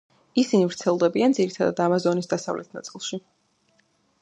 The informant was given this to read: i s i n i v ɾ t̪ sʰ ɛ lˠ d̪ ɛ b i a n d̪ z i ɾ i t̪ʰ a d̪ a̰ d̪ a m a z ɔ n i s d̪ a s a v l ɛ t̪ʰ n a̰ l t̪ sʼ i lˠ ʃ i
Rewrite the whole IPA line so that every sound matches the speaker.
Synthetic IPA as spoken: i s i n i v ɾ t̪ sʰ ɛ lˠ d̪ ɛ b i a n d̪ z i ɾ i t̪ʰ a d̪ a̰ d̪ a m a z ɔ n i s d̪ a s a v l ɛ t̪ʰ n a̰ t̪ sʼ i lˠ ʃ i